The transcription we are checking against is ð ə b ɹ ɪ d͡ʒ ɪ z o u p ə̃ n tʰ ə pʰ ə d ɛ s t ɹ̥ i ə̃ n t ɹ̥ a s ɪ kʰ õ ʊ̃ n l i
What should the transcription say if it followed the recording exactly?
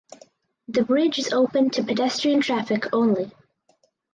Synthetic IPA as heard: ð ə b ɹ ɪ d͡ʒ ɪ z o ʊ p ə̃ n tʰ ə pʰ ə d ɛ s t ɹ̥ i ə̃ n tʰ ɹ̥ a f ɪ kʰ õ ʊ̃ n l i